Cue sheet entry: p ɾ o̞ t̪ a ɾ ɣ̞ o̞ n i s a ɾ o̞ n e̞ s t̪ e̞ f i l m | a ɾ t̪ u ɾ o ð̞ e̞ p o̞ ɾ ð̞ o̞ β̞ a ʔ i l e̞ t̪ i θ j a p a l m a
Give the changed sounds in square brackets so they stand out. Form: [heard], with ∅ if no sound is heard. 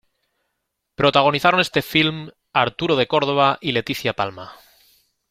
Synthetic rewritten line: p ɾ o̞ t̪ a [∅] ɣ̞ o̞ n i [θ] a ɾ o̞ n e̞ s t̪ e̞ f i l m | a ɾ t̪ u ɾ o ð̞ e̞ [k] o̞ ɾ ð̞ o̞ β̞ a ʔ i l e̞ t̪ i θ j a p a l m a